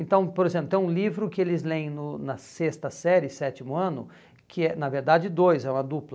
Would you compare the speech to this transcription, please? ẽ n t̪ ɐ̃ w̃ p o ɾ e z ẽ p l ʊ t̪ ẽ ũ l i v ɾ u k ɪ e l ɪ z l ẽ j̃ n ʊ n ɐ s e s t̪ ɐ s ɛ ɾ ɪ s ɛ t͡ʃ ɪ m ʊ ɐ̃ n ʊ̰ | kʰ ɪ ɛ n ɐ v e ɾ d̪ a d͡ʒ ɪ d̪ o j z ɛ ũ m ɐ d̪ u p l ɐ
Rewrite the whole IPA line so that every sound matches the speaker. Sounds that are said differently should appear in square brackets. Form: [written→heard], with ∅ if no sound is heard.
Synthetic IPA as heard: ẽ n t̪ ɐ̃ w̃ p o ɾ e z ẽ p l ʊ t̪ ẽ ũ l i v ɾ [u→ʊ] k ɪ e l ɪ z l ẽ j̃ n ʊ n ɐ s e s t̪ ɐ s ɛ ɾ ɪ s ɛ t͡ʃ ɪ m ʊ ɐ̃ n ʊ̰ | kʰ ɪ ɛ n ɐ v e ɾ d̪ a d͡ʒ ɪ d̪ o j z ɛ ũ m ɐ d̪ u p l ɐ

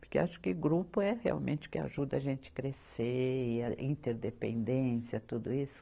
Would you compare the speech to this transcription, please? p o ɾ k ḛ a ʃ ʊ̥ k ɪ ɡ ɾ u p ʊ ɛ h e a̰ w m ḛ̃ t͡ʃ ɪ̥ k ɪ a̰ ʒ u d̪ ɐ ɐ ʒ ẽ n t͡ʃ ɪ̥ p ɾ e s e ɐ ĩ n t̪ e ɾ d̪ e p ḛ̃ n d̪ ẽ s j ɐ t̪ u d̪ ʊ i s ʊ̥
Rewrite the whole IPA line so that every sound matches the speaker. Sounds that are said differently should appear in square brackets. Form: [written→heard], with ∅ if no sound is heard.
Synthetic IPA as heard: p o ɾ k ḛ a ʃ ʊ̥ k ɪ ɡ ɾ u p ʊ ɛ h e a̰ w m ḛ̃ t͡ʃ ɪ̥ k ɪ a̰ ʒ u d̪ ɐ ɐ ʒ ẽ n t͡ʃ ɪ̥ [p→k] ɾ e s e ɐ ĩ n t̪ e ɾ d̪ e p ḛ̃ n d̪ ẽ s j ɐ t̪ u d̪ ʊ i s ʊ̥

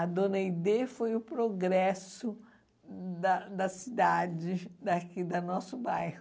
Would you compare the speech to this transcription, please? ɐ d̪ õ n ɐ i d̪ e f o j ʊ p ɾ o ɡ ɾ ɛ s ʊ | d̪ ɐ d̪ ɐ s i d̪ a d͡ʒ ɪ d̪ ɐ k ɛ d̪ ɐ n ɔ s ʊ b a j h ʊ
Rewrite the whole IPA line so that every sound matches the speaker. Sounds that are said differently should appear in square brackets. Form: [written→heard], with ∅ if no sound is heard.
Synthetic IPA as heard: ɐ d̪ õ n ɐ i d̪ e f o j ʊ p ɾ o ɡ ɾ ɛ s ʊ | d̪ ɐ d̪ ɐ s i d̪ a d͡ʒ ɪ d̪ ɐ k [ɛ→i] d̪ ɐ n ɔ s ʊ b a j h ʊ

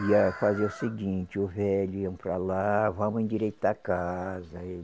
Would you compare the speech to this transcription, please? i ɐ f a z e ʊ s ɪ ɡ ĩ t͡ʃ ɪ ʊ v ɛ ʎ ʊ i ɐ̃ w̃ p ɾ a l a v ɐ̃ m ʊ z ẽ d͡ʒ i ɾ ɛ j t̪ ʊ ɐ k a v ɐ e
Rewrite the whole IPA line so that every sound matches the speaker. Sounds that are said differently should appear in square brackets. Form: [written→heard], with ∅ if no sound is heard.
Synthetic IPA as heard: i ɐ f a z e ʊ s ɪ ɡ ĩ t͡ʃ ɪ ʊ v ɛ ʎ ʊ i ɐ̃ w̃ p ɾ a l a v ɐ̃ m ʊ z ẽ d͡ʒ i ɾ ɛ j t̪ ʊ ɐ k a [v→z] ɐ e

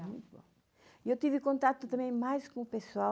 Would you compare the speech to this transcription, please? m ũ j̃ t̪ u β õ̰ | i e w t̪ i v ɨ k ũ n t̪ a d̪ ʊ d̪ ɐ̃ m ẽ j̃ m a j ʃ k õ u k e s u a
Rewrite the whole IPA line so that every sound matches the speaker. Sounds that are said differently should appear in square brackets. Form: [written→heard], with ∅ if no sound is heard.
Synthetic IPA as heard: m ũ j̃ t̪ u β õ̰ | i e w t̪ i v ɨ k [ũ→õ] n t̪ a [d̪→t̪] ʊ [d̪→t̪] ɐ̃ m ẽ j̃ m a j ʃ k õ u [k→p] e s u a

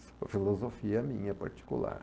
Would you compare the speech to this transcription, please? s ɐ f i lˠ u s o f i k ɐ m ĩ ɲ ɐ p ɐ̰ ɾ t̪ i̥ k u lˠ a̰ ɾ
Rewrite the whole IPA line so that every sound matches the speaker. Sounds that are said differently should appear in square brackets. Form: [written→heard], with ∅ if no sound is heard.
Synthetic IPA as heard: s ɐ f i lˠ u [s→z] o f i [k→∅] ɐ m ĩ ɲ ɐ p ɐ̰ ɾ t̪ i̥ k u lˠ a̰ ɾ

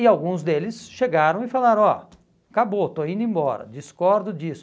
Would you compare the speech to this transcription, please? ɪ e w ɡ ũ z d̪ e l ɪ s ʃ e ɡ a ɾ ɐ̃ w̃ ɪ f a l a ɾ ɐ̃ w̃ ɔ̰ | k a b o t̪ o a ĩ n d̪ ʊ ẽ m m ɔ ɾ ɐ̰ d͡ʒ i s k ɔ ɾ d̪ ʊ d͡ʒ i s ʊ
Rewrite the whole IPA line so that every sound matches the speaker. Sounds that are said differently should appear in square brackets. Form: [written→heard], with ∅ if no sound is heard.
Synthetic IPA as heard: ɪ [e→a] w ɡ ũ z d̪ e l ɪ s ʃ e ɡ a ɾ ɐ̃ w̃ ɪ f a l a ɾ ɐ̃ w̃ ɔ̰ | k a b o t̪ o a ĩ n d̪ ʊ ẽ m [m→b] ɔ ɾ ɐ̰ d͡ʒ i s k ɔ ɾ d̪ ʊ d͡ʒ i s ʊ

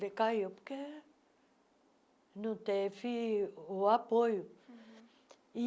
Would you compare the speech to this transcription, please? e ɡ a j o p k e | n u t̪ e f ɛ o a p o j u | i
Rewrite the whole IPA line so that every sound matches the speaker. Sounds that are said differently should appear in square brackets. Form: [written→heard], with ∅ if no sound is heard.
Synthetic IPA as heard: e [ɡ→k] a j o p k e | n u t̪ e f [ɛ→i] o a p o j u | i

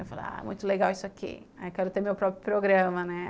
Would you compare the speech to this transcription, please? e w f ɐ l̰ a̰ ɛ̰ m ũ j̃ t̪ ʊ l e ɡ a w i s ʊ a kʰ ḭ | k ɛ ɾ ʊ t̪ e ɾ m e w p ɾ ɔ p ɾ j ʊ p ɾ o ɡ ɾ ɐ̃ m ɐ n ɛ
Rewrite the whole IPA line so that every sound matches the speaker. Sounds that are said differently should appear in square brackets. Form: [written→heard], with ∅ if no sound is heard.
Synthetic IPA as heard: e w f [ɐ→a] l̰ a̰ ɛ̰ m ũ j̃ t̪ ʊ l e ɡ a w i s ʊ a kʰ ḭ | k ɛ ɾ ʊ t̪ e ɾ m e w p ɾ ɔ p ɾ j ʊ p ɾ o ɡ ɾ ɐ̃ m ɐ n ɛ

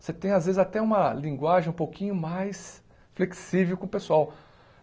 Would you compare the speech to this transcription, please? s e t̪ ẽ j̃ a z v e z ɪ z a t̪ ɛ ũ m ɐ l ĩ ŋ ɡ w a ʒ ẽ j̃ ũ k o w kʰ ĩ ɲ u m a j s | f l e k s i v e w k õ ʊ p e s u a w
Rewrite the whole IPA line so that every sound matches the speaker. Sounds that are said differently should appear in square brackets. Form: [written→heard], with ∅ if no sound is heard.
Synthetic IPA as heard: s e t̪ ẽ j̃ a z v e z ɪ z a t̪ ɛ ũ m ɐ l ĩ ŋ ɡ w a ʒ ẽ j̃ ũ [k→p] o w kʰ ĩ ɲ [u→ʊ] m a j s | f l e k s i v e w k õ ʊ p e s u a w

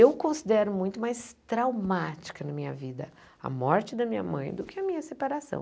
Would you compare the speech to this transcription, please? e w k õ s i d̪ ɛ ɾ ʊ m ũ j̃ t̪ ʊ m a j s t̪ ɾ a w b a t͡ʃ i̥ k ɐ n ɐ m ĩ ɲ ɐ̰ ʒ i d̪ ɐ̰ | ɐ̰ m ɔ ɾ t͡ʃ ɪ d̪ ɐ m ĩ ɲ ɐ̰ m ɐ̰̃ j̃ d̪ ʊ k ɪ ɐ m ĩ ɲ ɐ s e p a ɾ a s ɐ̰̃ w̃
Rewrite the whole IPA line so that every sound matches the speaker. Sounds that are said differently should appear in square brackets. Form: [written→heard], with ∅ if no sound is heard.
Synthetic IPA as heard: e w k õ s i d̪ ɛ ɾ ʊ m ũ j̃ t̪ ʊ m a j s t̪ ɾ a w [b→m] a t͡ʃ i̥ k ɐ n ɐ m ĩ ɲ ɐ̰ [ʒ→v] i d̪ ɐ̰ | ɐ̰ m ɔ ɾ t͡ʃ ɪ d̪ ɐ m ĩ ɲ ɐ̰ m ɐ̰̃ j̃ d̪ ʊ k ɪ ɐ m ĩ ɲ ɐ s e p a ɾ a s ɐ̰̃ w̃

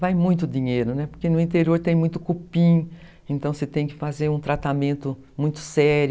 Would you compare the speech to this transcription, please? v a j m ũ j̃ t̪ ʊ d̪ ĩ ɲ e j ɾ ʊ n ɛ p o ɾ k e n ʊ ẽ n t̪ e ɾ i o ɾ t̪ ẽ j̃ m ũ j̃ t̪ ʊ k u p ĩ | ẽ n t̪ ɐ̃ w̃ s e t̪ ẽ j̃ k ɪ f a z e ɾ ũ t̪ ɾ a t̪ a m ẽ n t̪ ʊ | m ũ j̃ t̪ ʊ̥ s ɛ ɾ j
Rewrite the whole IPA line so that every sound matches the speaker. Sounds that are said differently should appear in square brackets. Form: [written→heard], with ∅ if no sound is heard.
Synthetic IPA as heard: v a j m ũ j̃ t̪ ʊ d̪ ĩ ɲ e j ɾ ʊ n ɛ p o ɾ k e n ʊ [ẽ→ĩ] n t̪ e ɾ i o ɾ t̪ ẽ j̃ m ũ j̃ t̪ ʊ k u p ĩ | ẽ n t̪ ɐ̃ w̃ s e t̪ ẽ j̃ k ɪ f a z e ɾ ũ t̪ ɾ a t̪ a m ẽ n t̪ ʊ | m ũ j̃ t̪ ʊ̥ s ɛ ɾ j

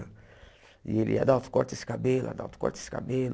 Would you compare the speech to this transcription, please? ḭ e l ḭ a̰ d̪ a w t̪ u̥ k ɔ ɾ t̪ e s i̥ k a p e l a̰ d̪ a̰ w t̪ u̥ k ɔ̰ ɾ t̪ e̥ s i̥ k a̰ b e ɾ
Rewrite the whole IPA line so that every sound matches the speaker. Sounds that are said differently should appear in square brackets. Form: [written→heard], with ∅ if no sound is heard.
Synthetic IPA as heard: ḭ e l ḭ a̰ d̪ a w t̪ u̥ k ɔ ɾ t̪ e s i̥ k a [p→b] e l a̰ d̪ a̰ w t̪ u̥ k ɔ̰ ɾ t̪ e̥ s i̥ k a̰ b e [ɾ→l]

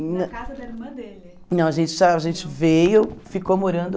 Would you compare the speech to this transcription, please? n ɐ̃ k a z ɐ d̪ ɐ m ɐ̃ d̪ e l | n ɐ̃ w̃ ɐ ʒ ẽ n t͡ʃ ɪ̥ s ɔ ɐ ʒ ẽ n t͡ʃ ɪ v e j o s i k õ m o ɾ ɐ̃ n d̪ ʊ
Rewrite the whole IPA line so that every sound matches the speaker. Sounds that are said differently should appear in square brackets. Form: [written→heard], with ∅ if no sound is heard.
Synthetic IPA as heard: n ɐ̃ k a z ɐ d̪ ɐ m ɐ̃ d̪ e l | n ɐ̃ w̃ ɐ ʒ ẽ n t͡ʃ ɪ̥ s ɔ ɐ ʒ ẽ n t͡ʃ ɪ v e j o [s→f] i k [õ→o] m o ɾ ɐ̃ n d̪ ʊ

